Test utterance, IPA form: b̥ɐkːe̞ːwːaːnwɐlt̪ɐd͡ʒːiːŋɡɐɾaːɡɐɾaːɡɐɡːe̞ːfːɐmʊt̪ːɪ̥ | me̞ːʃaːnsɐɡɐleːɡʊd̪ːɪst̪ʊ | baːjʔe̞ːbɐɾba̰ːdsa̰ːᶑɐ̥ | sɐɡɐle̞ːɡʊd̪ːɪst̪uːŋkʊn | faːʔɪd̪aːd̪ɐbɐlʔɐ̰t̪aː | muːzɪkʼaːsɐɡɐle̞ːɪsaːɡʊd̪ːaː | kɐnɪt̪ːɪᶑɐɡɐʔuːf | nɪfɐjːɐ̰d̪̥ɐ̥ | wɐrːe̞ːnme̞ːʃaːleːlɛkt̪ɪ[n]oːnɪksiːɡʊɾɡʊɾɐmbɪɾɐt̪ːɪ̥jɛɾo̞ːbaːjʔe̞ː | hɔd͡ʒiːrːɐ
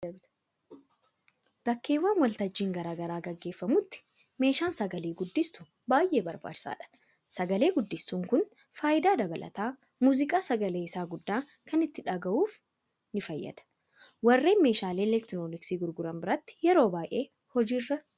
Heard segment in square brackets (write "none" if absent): n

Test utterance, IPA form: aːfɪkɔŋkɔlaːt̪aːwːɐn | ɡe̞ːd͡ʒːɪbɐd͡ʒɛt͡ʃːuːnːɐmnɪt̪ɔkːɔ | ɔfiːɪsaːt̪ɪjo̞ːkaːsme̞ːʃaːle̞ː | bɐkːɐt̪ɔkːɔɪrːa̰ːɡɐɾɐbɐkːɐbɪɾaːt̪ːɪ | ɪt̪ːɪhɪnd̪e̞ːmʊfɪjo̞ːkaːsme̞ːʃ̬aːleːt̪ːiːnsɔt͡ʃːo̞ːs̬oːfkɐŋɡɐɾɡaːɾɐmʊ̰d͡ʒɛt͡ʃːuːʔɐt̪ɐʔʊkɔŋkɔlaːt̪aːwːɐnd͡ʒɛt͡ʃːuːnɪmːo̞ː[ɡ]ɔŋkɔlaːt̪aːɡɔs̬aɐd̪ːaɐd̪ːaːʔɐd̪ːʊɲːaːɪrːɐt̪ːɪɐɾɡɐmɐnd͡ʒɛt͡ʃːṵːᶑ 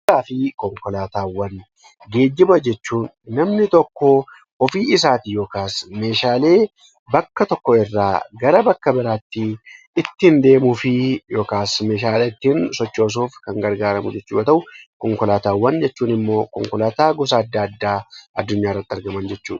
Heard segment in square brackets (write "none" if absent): k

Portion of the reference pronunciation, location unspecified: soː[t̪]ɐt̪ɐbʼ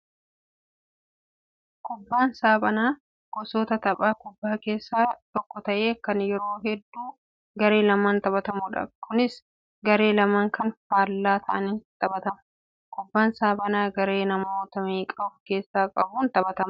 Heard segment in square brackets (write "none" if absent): t̪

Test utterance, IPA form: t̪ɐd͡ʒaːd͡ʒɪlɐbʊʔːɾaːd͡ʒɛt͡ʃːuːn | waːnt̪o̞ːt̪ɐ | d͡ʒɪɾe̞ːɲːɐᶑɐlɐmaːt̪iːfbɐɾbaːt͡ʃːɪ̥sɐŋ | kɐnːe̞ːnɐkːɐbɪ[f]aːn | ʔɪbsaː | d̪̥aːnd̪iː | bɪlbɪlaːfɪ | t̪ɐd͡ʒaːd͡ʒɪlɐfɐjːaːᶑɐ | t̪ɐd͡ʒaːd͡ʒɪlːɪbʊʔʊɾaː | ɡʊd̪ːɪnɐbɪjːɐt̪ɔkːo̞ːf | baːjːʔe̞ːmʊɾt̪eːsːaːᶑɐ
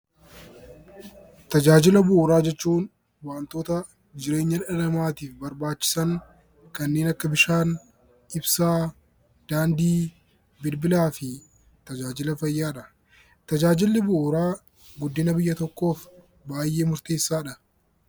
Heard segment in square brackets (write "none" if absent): ʃ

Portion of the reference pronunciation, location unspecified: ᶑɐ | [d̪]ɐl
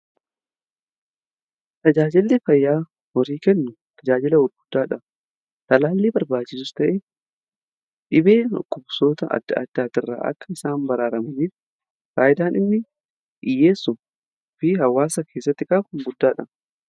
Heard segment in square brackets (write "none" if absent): t̪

